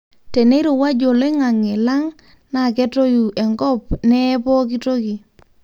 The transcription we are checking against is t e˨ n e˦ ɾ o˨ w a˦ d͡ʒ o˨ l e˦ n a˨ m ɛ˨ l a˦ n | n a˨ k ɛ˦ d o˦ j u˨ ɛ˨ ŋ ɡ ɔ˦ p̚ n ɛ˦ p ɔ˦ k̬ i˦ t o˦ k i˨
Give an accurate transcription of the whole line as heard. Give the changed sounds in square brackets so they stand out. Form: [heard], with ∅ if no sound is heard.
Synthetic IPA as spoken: t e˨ n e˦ ɾ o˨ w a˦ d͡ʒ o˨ l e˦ [ŋ] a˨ [ŋ] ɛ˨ l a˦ [ŋ] | n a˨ k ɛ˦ [t] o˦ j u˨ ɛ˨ ŋ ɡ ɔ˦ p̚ n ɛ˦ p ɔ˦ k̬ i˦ t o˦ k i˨